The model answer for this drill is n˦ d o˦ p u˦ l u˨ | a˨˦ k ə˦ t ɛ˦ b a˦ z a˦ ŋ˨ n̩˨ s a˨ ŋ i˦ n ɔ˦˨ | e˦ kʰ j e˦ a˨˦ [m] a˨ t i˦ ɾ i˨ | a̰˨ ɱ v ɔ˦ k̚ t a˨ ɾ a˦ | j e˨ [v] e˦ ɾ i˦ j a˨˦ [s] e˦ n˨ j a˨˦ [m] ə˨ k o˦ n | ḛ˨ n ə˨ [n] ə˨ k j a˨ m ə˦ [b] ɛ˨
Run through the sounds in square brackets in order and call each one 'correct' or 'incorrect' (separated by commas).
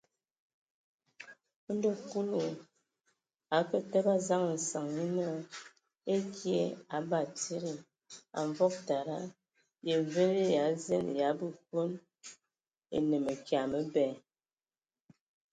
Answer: incorrect, correct, incorrect, incorrect, incorrect, correct